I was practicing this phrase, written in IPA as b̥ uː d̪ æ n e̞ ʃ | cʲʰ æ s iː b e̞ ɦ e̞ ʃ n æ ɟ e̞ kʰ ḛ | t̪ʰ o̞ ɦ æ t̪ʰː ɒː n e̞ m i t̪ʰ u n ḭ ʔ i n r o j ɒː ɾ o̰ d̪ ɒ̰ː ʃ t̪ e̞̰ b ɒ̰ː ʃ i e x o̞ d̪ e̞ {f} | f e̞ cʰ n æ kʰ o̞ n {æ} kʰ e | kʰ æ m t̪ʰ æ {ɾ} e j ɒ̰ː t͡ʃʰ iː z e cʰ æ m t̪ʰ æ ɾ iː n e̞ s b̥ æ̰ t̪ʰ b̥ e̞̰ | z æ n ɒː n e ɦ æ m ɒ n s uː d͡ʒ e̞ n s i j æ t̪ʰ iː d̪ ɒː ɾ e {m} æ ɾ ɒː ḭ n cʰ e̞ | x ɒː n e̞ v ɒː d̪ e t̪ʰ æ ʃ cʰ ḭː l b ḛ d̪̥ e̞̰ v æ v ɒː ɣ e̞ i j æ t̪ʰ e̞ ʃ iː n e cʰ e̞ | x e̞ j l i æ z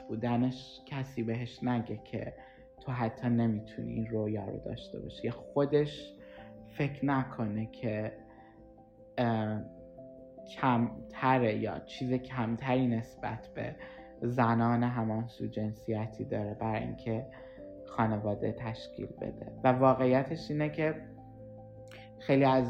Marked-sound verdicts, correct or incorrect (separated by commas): incorrect, incorrect, correct, incorrect